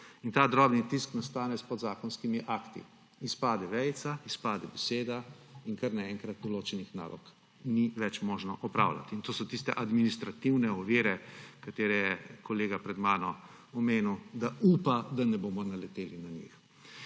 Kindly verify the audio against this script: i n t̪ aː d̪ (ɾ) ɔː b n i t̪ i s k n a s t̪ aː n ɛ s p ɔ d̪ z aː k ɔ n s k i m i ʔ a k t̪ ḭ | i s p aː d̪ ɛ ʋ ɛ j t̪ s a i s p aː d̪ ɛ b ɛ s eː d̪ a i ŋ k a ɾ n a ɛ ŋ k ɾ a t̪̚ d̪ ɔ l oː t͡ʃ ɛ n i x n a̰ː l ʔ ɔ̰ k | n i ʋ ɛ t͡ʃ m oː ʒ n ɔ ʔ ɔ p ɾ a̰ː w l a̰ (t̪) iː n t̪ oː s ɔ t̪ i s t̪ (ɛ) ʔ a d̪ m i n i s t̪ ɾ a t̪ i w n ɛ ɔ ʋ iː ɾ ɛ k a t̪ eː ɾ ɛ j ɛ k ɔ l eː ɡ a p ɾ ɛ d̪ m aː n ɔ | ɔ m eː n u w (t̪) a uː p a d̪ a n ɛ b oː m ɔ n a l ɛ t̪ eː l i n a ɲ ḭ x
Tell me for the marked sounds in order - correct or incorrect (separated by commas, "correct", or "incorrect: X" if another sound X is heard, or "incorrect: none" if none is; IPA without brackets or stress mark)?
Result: correct, correct, correct, incorrect: d̪